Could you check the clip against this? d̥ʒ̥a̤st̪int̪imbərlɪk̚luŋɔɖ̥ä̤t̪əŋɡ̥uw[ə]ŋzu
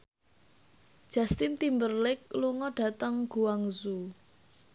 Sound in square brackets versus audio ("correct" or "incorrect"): incorrect